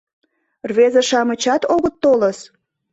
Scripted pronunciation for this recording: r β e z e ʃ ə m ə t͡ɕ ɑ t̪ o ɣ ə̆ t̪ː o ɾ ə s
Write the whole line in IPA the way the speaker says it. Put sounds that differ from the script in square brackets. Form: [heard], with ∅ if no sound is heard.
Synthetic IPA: r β e z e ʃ [ɑ] m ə t͡ɕ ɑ t̪ o ɣ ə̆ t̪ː o [l] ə s

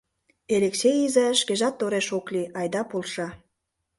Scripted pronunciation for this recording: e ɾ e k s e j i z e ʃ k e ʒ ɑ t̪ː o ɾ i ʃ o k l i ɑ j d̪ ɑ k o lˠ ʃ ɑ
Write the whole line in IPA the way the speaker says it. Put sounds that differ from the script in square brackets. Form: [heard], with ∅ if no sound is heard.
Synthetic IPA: e [l] e k s e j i z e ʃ k e ʒ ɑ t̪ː o ɾ [e] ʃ o k l i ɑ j d̪ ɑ [p] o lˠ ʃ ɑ

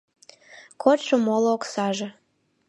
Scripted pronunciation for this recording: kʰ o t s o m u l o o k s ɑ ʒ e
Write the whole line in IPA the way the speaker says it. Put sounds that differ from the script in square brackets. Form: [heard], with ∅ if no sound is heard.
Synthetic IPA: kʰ o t [ʃ] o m [o] l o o k s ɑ ʒ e

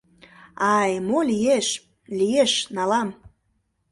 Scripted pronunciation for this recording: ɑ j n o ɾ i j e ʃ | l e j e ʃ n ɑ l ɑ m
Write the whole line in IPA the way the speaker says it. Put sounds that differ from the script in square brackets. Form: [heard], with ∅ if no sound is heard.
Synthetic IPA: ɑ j [m] o [l] i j e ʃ | l [i] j e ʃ n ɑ l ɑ m

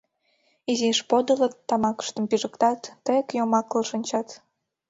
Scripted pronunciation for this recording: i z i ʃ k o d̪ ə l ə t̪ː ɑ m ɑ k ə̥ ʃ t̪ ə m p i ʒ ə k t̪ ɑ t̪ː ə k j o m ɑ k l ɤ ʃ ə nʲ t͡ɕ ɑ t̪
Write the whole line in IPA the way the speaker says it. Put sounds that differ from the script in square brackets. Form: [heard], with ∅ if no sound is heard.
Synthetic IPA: i z i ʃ [p] o d̪ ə l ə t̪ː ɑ m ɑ k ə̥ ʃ t̪ ə m p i ʒ ə k t̪ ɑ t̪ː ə k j o m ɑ k l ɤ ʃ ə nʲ t͡ɕ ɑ t̪

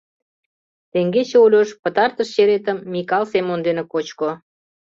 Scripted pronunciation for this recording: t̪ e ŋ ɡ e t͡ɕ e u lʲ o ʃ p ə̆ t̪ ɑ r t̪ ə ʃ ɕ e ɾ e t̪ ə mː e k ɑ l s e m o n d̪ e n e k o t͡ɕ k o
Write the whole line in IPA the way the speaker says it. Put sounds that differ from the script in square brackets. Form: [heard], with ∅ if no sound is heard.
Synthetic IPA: t̪ e ŋ ɡ e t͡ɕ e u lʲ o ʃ p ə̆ t̪ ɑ r t̪ ə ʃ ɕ e ɾ e t̪ ə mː [i] k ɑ l s e m o n d̪ e n e k o t͡ɕ k o

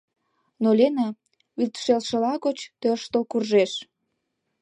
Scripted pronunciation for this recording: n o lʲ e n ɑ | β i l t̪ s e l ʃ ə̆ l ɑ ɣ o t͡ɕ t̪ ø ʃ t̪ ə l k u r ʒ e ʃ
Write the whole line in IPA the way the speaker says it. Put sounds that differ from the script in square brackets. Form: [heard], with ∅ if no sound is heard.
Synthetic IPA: n o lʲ e n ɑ | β i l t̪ [ʃ] e l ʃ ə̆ l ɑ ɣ o t͡ɕ t̪ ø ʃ t̪ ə l k u r ʒ e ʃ

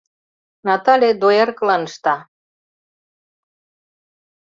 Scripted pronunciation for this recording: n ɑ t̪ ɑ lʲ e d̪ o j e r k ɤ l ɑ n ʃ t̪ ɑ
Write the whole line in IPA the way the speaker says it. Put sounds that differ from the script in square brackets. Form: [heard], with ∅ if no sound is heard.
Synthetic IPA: n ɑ t̪ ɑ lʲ e d̪ o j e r k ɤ l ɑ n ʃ t̪ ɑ

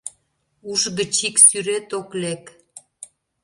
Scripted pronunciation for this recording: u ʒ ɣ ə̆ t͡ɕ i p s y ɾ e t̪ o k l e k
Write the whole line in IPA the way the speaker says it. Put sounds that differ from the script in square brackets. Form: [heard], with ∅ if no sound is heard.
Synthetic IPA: u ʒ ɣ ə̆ t͡ɕ i [k] s y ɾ e t̪ o k l e k

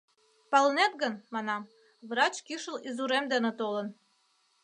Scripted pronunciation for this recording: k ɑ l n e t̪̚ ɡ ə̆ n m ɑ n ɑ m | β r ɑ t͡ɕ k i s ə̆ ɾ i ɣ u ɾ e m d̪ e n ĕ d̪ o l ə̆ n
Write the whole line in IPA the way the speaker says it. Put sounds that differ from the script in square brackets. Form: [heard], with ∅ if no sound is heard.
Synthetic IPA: [p] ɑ l n e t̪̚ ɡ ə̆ n m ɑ n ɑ m | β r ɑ t͡ɕ k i [ʃ] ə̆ [l] i [z] u ɾ e m d̪ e n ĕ [t̪] o l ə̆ n

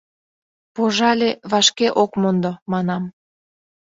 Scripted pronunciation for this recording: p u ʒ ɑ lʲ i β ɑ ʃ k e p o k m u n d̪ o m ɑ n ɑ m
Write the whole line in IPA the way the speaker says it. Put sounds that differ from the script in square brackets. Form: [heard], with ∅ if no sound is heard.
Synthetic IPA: p [o] ʒ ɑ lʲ [e] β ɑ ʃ k e [ʔ] o k m [o] n d̪ o m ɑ n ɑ m

